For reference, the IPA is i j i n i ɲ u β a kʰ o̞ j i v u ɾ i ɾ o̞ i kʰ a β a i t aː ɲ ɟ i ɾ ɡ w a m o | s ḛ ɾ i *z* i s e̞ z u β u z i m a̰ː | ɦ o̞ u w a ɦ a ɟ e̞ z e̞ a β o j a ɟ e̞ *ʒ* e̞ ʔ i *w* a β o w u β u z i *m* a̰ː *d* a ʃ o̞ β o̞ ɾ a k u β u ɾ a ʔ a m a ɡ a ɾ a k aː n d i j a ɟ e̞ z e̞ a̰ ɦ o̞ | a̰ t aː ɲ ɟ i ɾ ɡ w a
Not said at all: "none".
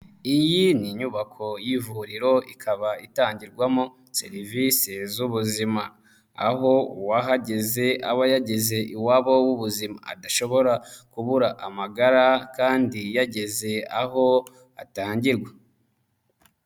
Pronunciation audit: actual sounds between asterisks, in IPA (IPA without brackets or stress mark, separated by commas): v, z, w, m, d